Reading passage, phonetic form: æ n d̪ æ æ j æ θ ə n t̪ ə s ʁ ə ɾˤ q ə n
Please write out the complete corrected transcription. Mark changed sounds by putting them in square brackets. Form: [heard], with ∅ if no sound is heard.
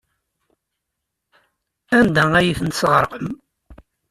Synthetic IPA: æ n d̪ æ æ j [i] θ ə n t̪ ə s ʁ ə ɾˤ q ə [m]

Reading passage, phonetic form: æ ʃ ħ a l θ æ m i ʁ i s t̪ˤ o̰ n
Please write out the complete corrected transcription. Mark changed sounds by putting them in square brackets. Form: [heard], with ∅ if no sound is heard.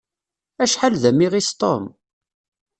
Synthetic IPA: æ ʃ ħ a l [ð] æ m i ʁ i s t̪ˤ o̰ [m]

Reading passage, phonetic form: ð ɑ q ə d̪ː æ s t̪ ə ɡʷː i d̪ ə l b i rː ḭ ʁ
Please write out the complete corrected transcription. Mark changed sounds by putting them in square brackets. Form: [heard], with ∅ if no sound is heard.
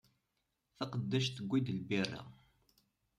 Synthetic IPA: [θ] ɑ q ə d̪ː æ [ʃ] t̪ ə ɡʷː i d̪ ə l b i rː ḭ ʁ

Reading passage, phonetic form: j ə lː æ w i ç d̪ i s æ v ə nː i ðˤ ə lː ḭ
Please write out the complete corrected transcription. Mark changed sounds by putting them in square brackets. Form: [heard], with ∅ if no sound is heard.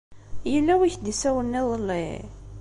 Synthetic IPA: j ə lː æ w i ç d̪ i s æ [w] ə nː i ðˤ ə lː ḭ

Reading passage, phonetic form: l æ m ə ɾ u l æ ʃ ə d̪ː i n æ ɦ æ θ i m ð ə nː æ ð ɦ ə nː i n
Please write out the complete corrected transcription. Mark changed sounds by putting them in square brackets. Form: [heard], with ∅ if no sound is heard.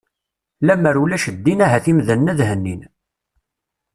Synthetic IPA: l æ m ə ɾ u l æ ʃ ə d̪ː i n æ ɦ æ θ i m ð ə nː æ ð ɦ ə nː i n

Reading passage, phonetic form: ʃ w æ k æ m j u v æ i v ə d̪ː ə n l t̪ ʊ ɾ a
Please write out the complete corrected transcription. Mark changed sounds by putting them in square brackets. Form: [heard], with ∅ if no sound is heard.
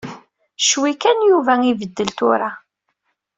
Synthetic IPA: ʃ w [i] k æ [n] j u v æ i v ə d̪ː ə [∅] l t̪ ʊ ɾ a

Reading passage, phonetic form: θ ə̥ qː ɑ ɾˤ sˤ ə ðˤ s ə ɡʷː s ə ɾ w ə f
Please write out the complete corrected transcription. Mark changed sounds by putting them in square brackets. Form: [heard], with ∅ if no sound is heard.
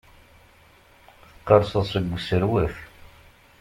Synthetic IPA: θ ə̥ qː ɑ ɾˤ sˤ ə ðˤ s ə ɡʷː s ə ɾ w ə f

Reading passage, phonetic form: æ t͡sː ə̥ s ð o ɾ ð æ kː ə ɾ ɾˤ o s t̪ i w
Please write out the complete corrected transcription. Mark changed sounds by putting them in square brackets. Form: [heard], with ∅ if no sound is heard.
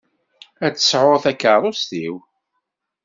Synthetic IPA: æ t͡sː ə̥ s [ʕ] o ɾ [θ] æ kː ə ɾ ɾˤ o s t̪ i w

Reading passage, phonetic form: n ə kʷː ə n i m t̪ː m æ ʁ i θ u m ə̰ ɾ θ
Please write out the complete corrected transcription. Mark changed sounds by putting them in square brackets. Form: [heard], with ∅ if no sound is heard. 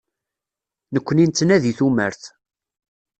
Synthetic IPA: n ə kʷː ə n i [n] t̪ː [n] æ [ð] i θ u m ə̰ ɾ θ

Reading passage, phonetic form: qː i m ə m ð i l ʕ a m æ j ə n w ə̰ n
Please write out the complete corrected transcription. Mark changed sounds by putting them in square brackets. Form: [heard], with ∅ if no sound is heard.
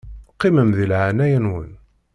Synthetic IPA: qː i m ə m ð i l ʕ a [n] æ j ə n w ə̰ n

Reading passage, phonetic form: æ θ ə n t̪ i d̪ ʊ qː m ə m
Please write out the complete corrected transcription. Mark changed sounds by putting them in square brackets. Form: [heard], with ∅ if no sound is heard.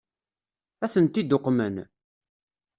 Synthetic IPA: æ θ ə n t̪ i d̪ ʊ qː m ə [n]

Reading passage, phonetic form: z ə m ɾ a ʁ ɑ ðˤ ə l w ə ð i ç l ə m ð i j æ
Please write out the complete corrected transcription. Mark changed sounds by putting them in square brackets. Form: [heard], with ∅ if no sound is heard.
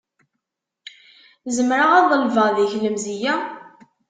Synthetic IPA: z ə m ɾ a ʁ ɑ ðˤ ə l [v] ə ð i ç l ə m [z] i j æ

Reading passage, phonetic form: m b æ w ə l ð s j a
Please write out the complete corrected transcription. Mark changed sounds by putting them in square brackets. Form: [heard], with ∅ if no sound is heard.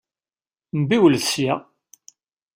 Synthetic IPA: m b [i] w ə l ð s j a

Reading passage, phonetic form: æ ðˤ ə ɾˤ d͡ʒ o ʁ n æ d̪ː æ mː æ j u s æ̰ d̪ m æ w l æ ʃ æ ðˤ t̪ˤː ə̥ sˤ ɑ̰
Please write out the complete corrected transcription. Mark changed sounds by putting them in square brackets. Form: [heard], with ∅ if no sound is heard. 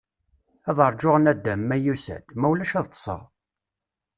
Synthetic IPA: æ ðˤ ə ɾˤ d͡ʒ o ʁ n æ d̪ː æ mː æ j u s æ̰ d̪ m æ w l æ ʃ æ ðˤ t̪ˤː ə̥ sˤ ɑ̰

